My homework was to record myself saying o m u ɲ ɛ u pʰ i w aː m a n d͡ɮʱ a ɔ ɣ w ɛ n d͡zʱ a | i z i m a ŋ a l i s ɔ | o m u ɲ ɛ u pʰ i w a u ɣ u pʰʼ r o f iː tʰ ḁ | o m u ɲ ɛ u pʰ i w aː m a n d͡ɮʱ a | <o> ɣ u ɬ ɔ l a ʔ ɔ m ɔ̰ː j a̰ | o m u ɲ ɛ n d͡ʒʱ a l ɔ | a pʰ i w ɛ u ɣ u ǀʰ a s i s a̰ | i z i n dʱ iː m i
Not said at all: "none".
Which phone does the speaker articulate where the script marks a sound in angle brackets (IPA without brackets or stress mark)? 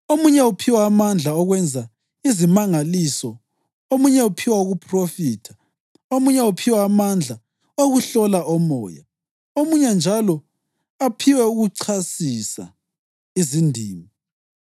o